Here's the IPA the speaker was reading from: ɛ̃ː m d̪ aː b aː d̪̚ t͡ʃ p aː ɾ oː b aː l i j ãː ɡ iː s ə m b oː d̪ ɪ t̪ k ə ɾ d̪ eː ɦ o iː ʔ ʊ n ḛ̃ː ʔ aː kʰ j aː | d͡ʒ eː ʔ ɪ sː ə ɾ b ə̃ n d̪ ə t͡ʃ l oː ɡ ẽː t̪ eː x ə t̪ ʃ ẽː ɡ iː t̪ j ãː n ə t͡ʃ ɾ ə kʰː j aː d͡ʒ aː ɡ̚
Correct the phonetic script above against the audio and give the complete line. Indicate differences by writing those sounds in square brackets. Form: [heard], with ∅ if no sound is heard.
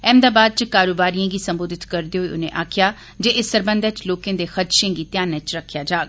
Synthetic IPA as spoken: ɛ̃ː m d̪ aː b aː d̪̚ t͡ʃ [k] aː ɾ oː b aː [ɾ] i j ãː ɡ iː s ə m b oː d̪ ɪ t̪ k ə ɾ d̪ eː ɦ o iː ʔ ʊ n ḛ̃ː ʔ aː kʰ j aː | d͡ʒ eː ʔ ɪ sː ə ɾ b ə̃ n d̪ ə t͡ʃ l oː [k] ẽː [d̪] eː x ə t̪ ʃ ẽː ɡ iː t̪ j [aː] n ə t͡ʃ ɾ ə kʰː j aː d͡ʒ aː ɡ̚